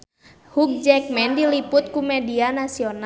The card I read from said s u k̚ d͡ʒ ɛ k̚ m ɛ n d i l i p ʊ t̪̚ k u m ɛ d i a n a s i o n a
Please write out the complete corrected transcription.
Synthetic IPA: h u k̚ d͡ʒ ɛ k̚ m ɛ n d i l i p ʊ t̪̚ k u m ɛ d i a n a s i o n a